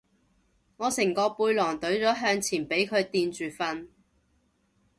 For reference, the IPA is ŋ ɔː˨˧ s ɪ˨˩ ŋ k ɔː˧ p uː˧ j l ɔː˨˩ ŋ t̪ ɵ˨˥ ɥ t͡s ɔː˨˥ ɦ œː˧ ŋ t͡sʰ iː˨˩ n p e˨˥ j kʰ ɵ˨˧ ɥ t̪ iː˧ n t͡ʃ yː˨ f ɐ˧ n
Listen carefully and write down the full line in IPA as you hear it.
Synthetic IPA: ŋ ɔː˨˧ s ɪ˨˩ ŋ k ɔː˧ p uː˧ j l ɔː˨˩ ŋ t̪ ɵ˨˥ ɥ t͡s ɔː˨˥ ɦ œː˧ ŋ t͡sʰ iː˨˩ n p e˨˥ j kʰ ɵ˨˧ ɥ t̪ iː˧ n t͡ʃ yː˨ f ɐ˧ n